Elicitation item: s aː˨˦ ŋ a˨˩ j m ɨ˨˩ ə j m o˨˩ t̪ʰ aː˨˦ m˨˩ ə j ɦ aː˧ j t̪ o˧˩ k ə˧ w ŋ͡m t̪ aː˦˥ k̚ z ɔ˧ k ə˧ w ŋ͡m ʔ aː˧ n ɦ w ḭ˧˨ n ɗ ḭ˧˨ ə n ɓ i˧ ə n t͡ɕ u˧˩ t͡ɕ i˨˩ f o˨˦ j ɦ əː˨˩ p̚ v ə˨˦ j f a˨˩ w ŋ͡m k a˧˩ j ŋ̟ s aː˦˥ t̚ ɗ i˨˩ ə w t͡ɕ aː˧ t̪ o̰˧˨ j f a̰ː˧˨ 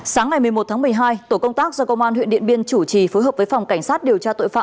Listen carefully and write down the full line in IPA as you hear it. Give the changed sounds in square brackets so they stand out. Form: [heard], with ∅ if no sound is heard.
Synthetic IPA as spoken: s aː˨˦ ŋ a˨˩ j m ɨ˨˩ ə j m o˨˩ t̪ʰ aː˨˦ m˨˩ ə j ɦ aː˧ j t̪ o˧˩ k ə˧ w ŋ͡m t̪ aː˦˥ k̚ z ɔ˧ k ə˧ w ŋ͡m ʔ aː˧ n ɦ w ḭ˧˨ n ɗ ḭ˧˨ ə n ɓ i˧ ə n t͡ɕ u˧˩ t͡ɕ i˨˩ f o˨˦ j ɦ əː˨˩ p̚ v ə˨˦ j f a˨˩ w ŋ͡m k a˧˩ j ŋ̟ s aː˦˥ t̚ ɗ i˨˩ ə w t͡ɕ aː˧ t̪ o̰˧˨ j f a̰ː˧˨